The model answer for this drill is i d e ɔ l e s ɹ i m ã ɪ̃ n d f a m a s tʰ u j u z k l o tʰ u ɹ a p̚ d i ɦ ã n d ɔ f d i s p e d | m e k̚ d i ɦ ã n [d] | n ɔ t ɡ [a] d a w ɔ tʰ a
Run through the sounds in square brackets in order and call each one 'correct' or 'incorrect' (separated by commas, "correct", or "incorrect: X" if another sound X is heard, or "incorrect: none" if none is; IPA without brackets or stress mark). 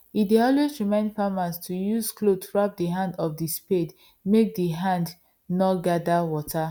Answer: correct, correct